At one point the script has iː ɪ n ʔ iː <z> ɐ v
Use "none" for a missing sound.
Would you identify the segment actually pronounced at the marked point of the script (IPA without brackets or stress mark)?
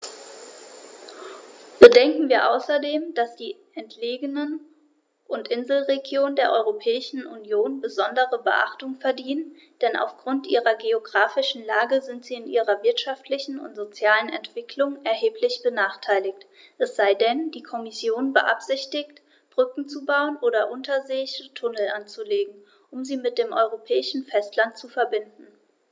ʁ